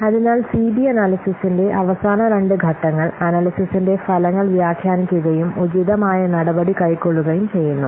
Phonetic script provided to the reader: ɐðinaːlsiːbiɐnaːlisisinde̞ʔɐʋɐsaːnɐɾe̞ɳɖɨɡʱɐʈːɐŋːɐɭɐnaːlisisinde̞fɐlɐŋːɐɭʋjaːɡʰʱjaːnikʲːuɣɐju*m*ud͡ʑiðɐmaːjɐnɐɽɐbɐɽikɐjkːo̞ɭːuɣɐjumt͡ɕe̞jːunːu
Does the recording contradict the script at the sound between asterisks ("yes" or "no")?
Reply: no